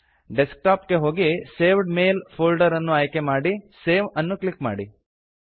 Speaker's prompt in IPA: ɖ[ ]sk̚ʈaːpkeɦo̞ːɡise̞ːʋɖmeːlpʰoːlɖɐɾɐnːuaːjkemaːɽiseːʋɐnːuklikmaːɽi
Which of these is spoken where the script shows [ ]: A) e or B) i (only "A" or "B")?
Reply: A